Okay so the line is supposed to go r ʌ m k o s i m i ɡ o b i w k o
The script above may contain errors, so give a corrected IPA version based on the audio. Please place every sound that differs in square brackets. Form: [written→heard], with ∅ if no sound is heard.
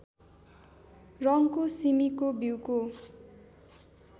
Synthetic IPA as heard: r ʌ [m→ŋ] k o s i m i [ɡ→k] o b i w k o